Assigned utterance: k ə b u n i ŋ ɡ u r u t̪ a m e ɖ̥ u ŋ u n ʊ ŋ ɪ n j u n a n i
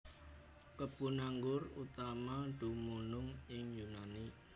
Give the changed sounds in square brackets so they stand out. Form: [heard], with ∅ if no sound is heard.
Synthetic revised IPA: k ə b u n [a] ŋ ɡ [ʊ] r u t̪ a m [a] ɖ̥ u [m] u n ʊ ŋ ɪ [ŋ] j u n a n i